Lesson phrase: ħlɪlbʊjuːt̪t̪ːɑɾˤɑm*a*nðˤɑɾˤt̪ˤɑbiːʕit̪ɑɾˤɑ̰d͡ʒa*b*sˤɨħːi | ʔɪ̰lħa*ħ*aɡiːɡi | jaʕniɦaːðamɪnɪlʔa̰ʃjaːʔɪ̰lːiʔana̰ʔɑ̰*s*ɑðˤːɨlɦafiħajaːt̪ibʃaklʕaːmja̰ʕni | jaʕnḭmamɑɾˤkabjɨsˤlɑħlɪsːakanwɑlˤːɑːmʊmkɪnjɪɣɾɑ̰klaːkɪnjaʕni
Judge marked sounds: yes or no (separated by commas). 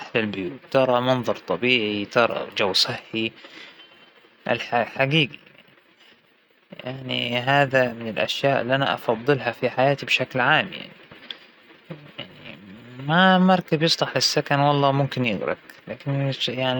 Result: no, no, yes, no